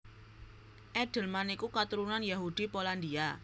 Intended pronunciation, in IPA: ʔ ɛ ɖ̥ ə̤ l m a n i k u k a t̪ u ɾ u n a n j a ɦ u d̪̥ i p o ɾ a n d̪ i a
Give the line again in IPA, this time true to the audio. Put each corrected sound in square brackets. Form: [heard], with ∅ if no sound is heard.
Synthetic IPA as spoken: ʔ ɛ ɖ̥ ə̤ l m a n i k u k a t̪ u ɾ u n a n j a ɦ u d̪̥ i p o [l] a n d̪ i a